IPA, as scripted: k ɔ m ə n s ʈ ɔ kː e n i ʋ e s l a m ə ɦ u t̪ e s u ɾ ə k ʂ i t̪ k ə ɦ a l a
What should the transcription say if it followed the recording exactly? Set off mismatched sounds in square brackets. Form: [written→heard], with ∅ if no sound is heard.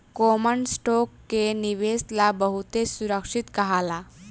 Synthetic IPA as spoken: k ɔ m ə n s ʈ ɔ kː e n i ʋ e s l a [m→b] ə ɦ u t̪ e s u ɾ ə k ʂ i t̪ k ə ɦ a l a